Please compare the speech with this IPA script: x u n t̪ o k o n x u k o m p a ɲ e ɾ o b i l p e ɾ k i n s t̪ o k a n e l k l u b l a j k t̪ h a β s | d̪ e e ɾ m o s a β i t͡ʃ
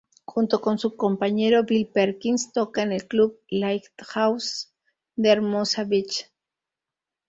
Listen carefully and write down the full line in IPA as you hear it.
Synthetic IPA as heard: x u n t̪ o k o n s u k o m p a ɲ e ɾ o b i l p e ɾ k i n s t̪ o k a n e l k l u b l a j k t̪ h a w s | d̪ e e ɾ m o s a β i t͡ʃ